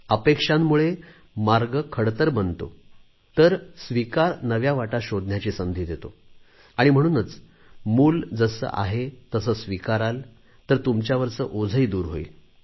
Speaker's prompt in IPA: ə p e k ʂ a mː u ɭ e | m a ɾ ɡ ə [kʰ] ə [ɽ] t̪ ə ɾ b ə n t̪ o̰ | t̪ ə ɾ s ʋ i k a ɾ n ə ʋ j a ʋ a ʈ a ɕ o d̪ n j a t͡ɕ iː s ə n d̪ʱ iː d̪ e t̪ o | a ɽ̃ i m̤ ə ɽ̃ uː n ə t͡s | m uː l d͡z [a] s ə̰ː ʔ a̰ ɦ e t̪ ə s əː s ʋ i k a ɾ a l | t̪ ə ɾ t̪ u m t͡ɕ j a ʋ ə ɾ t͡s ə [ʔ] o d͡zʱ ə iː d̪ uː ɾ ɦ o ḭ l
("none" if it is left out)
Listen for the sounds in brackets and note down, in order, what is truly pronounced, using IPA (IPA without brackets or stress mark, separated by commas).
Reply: kʰ, ɽ, ə, ʔ